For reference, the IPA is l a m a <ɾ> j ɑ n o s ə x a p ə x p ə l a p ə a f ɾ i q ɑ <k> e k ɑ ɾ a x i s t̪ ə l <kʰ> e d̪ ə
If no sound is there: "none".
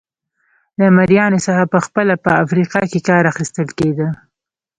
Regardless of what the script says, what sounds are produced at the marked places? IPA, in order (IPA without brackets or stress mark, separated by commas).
ɾ, k, k